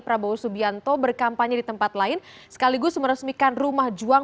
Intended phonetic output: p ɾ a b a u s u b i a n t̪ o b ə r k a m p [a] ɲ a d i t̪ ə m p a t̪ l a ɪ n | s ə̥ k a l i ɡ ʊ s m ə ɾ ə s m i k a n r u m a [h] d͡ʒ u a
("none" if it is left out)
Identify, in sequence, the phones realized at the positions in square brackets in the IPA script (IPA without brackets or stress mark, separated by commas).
a, h